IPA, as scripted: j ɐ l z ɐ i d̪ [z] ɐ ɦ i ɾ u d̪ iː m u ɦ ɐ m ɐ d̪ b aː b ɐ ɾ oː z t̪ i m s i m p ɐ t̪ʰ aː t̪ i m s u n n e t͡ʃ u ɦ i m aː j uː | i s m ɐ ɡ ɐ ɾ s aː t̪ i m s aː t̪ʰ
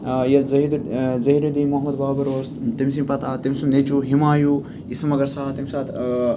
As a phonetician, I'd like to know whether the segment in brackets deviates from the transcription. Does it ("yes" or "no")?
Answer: no